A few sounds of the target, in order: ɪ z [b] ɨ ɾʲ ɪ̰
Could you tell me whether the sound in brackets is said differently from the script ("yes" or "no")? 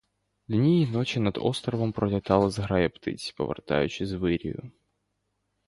yes